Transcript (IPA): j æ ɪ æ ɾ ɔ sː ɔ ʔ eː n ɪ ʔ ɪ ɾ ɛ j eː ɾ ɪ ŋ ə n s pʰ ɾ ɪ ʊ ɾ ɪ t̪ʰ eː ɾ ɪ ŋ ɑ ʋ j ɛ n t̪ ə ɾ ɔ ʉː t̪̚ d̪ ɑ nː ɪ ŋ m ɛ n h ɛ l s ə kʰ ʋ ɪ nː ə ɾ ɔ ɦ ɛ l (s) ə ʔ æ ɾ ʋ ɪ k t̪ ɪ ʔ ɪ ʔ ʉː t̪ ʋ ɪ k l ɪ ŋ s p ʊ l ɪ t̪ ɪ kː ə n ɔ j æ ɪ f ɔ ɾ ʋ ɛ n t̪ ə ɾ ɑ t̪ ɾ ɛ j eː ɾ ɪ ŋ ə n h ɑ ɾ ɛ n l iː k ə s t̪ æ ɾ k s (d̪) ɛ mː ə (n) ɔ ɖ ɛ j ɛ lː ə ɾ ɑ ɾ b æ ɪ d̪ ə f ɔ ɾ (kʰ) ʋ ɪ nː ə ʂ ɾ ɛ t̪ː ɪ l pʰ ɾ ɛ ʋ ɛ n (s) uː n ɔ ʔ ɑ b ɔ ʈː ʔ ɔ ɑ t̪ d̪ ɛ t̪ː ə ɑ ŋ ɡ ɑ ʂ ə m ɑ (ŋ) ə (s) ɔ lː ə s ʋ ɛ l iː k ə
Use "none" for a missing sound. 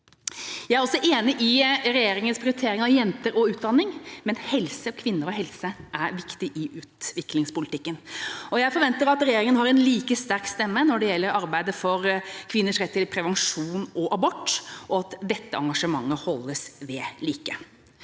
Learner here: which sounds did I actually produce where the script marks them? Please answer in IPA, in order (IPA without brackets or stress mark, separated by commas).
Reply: s, t̪, n, kʰ, ʂ, ŋː, h